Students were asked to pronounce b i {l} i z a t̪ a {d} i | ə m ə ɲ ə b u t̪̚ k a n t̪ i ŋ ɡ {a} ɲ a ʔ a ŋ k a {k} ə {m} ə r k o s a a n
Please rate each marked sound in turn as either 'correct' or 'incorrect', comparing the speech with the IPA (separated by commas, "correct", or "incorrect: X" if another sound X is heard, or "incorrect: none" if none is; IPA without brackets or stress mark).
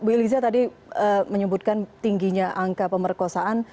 correct, correct, incorrect: i, incorrect: p, correct